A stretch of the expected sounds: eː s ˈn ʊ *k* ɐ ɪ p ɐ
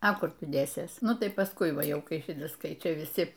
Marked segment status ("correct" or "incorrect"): incorrect